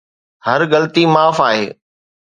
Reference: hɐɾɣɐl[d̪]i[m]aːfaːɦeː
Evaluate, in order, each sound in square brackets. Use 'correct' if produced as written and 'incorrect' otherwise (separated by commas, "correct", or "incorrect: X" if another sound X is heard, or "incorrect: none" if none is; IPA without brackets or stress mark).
incorrect: t̪, correct